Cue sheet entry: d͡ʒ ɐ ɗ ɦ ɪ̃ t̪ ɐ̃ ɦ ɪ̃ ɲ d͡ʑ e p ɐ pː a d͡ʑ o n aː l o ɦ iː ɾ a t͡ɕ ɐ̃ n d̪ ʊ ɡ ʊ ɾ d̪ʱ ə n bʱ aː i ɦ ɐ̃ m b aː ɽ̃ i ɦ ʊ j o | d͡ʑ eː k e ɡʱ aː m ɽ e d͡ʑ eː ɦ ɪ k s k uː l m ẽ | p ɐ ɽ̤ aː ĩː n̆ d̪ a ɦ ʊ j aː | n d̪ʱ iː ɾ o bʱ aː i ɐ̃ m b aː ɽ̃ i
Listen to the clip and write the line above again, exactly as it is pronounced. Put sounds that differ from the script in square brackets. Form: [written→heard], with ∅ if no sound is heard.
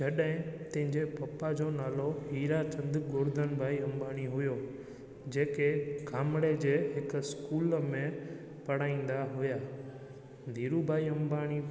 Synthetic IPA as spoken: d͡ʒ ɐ ɗ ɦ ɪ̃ t̪ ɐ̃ ɦ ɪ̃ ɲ d͡ʑ e p ɐ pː a d͡ʑ o n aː l o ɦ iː ɾ a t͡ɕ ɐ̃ n d̪ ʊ ɡ ʊ ɾ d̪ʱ ə n bʱ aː i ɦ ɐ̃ m b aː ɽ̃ i ɦ ʊ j o | d͡ʑ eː k e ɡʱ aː m ɽ e d͡ʑ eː ɦ ɪ k s k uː l m ẽ | p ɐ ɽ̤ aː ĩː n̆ d̪ a ɦ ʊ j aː | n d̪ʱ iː ɾ [o→u] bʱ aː i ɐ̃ m b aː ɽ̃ i